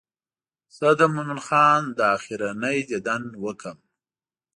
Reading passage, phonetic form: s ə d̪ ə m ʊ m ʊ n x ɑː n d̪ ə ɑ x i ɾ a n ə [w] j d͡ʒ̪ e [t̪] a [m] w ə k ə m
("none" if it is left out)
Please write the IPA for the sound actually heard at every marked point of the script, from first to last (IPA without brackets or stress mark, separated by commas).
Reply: none, d̪, n